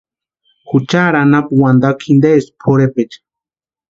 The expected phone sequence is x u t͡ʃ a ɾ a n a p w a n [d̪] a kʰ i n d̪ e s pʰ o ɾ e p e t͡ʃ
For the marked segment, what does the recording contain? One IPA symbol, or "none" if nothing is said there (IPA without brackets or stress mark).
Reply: d̪